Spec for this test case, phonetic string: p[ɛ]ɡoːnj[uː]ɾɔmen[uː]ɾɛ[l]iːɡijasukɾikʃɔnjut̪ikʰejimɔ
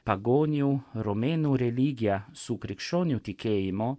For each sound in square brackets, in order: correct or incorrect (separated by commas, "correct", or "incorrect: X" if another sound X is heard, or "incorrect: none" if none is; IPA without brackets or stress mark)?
incorrect: a, incorrect: u, incorrect: u, correct